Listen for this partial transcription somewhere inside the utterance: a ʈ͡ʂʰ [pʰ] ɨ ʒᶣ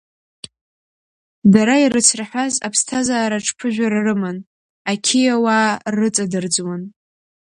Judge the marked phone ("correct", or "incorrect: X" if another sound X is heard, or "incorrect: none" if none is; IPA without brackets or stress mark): correct